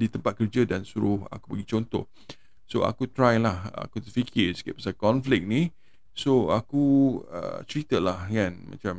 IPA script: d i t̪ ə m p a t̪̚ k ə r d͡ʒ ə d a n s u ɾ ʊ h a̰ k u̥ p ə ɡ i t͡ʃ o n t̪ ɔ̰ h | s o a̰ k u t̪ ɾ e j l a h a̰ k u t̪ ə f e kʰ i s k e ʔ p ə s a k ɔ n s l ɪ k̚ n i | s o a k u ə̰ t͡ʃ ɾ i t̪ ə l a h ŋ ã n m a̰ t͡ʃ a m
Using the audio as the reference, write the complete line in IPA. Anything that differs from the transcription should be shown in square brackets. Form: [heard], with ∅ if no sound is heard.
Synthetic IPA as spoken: d i t̪ ə m p a t̪̚ k ə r d͡ʒ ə d a n s u ɾ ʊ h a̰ k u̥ p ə ɡ i t͡ʃ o n t̪ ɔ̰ h | s o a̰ k u t̪ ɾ [a] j l a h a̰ k u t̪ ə f [i] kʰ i s k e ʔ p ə s a k ɔ n [f] l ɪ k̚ n i | s o a k u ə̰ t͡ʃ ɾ i t̪ ə l a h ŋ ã n m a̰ t͡ʃ a m